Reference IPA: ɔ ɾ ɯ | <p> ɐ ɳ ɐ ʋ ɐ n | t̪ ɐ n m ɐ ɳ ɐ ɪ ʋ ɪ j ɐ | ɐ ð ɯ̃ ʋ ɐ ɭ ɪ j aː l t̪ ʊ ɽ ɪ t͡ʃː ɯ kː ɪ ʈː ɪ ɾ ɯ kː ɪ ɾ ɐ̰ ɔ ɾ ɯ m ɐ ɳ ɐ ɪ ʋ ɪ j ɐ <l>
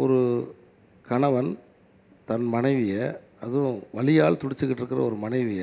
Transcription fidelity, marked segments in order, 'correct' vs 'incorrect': incorrect: k, incorrect: none

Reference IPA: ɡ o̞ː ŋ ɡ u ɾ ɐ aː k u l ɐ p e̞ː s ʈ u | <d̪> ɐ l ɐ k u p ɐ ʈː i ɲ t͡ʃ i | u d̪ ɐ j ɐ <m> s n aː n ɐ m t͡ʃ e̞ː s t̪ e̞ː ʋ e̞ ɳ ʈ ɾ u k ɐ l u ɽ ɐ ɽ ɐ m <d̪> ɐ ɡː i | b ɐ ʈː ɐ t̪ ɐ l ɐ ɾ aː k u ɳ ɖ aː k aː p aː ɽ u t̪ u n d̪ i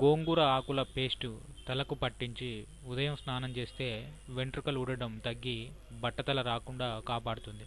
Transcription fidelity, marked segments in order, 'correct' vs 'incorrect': incorrect: t̪, correct, incorrect: t̪

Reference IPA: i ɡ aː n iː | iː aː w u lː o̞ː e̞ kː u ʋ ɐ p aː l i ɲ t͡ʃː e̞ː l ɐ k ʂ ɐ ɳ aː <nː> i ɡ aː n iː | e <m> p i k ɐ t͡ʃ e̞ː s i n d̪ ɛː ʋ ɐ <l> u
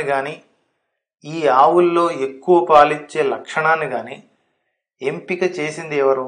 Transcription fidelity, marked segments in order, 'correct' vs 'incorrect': incorrect: n, correct, incorrect: ɾ

